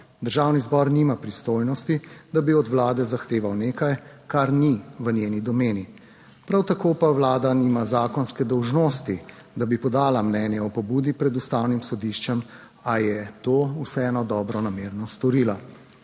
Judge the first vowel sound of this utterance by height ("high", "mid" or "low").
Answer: mid